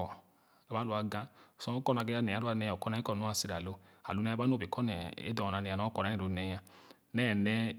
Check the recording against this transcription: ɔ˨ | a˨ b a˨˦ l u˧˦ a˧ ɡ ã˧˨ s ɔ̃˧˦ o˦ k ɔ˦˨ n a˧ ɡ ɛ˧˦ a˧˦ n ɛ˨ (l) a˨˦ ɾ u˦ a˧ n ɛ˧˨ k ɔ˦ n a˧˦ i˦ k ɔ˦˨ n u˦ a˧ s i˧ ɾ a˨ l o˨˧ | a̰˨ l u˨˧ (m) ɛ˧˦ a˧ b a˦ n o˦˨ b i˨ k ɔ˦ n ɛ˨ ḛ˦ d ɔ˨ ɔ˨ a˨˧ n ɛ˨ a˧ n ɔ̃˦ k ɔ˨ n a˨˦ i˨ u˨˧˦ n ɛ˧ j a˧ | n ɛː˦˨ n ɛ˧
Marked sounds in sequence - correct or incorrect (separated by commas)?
incorrect, incorrect